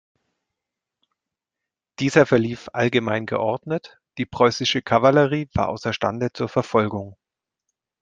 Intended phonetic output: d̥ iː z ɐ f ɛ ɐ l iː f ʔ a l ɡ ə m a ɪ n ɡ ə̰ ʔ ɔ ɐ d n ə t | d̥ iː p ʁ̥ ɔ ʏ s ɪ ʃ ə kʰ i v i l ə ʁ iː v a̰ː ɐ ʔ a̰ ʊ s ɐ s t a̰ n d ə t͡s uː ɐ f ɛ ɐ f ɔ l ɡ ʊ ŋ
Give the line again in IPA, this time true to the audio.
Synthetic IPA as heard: d̥ iː z ɐ f ɛ ɐ l iː f ʔ a l ɡ ə m a ɪ n ɡ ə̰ ʔ ɔ ɐ d n ə t | d̥ iː p ʁ̥ ɔ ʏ s ɪ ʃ ə kʰ a v a l ə ʁ iː v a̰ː ɐ ʔ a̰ ʊ s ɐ ʃ t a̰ n d ə t͡s uː ɐ f ɛ ɐ f ɔ l ɡ ʊ ŋ